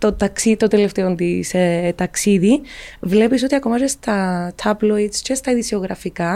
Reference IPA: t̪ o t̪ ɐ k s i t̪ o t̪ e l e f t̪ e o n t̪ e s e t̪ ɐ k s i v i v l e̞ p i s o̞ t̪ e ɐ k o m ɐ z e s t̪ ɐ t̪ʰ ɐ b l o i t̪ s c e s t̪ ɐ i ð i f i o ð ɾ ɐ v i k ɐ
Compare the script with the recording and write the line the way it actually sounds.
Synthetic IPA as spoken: t̪ o t̪ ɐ k s i t̪ o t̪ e l e f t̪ e o n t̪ i s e t̪ ɐ k s i ð i v l e̞ p i s o̞ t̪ i ɐ k o m ɐ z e s t̪ ɐ t̪ʰ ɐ b l o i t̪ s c e s t̪ ɐ i ð i s i o ɣ ɾ ɐ f i k ɐ